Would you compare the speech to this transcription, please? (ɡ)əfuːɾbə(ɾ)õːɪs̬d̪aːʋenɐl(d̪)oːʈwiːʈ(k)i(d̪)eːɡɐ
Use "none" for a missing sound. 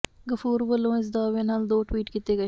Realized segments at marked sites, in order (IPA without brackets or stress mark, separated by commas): ɡ, l, d̪, k, t̪